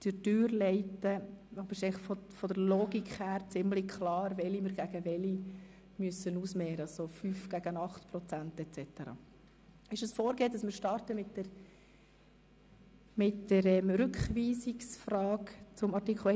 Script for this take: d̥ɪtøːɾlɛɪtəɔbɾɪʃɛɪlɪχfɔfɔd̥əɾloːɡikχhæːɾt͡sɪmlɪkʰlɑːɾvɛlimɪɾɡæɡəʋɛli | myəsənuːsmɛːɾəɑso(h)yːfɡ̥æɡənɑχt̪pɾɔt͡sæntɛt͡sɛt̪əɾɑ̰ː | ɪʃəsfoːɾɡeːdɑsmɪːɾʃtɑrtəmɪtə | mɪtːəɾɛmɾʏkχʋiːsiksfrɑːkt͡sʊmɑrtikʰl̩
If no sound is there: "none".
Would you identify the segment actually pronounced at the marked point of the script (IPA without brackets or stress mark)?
f